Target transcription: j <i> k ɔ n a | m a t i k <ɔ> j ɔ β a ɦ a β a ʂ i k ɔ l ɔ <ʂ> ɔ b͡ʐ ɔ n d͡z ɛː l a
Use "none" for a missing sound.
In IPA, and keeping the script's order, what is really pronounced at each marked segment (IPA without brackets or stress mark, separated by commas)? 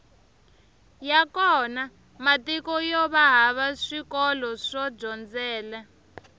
a, ɔ, ʂ